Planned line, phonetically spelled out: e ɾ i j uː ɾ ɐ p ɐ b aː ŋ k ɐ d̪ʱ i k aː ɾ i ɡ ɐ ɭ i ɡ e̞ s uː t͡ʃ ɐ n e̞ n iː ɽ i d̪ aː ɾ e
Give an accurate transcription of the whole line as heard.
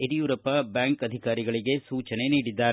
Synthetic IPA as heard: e ɾ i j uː ɾ ɐ p ɐ b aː ŋ k ɐ d̪ʱ i k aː ɾ i ɡ ɐ ɭ i ɡ e̞ s uː t͡ʃ ɐ n e̞ n iː ɽ i d̪ː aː ɾ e